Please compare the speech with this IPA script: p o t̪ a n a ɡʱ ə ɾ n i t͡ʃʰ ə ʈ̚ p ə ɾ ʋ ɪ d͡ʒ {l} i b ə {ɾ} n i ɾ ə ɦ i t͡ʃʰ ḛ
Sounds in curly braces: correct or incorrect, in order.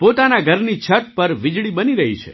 incorrect: ɭ, incorrect: none

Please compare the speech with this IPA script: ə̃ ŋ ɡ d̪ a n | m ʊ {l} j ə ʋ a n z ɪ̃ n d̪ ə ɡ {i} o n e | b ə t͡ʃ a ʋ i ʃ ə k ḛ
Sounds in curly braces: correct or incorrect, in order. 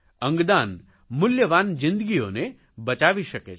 correct, correct

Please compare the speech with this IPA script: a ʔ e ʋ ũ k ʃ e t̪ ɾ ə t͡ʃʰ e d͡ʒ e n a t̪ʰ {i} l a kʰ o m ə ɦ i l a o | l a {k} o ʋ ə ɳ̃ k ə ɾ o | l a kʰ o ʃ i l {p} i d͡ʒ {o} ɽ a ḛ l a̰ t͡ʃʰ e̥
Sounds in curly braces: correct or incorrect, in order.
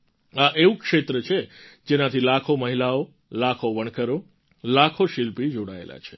correct, incorrect: kʰ, correct, correct

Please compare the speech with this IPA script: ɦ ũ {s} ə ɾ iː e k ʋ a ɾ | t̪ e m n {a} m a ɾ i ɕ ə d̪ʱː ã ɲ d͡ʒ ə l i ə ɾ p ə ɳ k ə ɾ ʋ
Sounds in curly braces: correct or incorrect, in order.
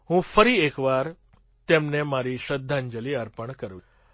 incorrect: f, incorrect: e

